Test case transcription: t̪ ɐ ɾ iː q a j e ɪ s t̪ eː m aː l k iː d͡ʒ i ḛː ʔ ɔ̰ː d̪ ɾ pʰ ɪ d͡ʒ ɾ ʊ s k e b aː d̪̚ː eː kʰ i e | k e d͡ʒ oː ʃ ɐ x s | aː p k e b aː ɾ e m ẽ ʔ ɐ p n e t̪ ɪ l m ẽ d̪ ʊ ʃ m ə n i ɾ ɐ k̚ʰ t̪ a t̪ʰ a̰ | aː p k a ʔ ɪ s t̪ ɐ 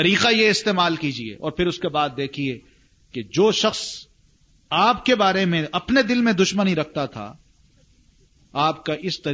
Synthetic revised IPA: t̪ ɐ ɾ iː q a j e ɪ s t̪ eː m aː l k iː d͡ʒ i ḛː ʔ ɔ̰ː ɾ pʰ ɪ ɾ ʊ s k e b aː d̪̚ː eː kʰ i e | k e d͡ʒ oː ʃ ɐ x s | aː p k e b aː ɾ e m ẽ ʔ ɐ p n e d̪ ɪ l m ẽ d̪ ʊ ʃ m ə n i ɾ ɐ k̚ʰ t̪ a t̪ʰ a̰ | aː p k a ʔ ɪ s t̪ ɐ